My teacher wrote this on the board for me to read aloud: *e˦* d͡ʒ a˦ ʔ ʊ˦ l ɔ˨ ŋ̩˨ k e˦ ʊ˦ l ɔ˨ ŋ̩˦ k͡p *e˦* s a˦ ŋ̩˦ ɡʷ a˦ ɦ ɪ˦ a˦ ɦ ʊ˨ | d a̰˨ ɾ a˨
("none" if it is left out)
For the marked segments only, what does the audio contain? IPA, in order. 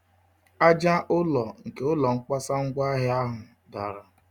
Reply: a˦, a˦

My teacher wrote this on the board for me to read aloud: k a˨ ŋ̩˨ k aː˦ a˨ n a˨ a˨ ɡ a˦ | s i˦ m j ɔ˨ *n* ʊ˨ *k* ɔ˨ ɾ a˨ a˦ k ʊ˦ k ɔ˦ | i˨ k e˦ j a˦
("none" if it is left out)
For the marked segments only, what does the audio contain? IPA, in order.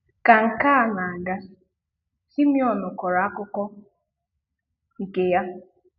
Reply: n, k

